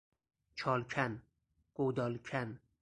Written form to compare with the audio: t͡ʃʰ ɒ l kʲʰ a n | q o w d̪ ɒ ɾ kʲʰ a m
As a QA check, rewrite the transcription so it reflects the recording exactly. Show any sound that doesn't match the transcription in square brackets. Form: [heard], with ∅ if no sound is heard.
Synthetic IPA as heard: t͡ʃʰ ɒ l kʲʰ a n | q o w d̪ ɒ [l] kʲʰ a [n]